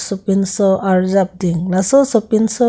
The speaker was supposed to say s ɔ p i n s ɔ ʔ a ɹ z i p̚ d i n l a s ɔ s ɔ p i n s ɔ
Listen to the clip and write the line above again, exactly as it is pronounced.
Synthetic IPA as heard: s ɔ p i n s ɔ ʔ a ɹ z a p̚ d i ŋ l a s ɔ s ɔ p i n s ɔ

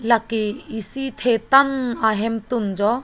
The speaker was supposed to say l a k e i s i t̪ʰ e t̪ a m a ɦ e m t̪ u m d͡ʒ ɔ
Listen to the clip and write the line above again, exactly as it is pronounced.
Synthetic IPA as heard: l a k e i s i t̪ʰ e t̪ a n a ɦ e m t̪ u n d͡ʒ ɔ

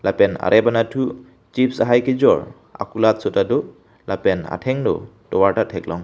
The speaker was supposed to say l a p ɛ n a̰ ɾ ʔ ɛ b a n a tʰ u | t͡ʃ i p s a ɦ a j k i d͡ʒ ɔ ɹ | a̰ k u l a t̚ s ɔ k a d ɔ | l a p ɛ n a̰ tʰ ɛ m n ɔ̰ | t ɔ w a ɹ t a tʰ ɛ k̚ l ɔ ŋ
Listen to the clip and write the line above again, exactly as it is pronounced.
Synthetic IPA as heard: l a p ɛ n a̰ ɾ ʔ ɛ b a n a tʰ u | t͡ʃ i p s a ɦ a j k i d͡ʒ ɔ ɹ | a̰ k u l a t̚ s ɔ t a d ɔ | l a p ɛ n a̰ tʰ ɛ ŋ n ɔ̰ | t ɔ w a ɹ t a tʰ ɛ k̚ l ɔ ŋ

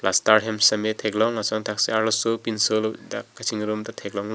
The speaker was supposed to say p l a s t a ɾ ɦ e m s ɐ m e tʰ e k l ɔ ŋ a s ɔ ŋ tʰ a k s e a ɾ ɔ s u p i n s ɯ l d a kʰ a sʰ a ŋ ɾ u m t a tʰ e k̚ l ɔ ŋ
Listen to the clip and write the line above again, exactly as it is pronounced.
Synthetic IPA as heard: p l a s t a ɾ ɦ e m s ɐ m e tʰ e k l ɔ ŋ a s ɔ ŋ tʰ a k s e a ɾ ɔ s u p i n s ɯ l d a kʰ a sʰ i ŋ ɾ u m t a tʰ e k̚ l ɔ ŋ

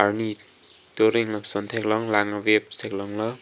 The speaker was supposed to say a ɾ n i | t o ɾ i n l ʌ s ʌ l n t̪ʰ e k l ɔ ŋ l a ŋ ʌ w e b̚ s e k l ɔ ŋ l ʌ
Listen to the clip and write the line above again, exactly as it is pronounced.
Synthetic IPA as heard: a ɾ n i | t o ɾ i ŋ l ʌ s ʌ n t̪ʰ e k l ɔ ŋ l a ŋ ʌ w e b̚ s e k l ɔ ŋ l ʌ

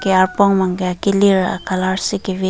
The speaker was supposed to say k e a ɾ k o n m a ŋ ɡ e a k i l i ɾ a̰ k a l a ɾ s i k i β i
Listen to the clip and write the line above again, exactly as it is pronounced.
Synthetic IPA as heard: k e a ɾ p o ŋ m a ŋ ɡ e a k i l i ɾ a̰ k a l a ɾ s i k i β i

